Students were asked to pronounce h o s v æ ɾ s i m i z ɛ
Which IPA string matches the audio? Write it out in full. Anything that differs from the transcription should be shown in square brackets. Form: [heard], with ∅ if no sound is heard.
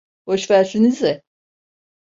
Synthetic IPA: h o [ʃ] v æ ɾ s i [n] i z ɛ